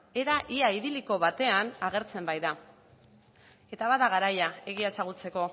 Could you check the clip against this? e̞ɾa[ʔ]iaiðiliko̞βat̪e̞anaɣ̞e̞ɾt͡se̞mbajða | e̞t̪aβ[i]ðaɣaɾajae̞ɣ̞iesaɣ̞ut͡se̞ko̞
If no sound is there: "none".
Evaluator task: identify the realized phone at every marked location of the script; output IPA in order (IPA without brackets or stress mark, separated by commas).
ʔ, a